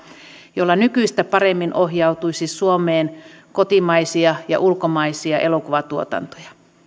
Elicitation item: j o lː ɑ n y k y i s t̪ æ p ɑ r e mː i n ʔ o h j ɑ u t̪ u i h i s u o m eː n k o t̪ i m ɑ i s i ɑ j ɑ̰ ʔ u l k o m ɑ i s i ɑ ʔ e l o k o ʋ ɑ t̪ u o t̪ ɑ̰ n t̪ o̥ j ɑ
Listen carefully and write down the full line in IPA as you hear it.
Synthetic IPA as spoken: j o lː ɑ n y k y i s t̪ æ p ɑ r e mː i n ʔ o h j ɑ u t̪ u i s i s u o m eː n k o t̪ i m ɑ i s i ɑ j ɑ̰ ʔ u l k o m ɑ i s i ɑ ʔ e l o k u ʋ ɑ t̪ u o t̪ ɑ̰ n t̪ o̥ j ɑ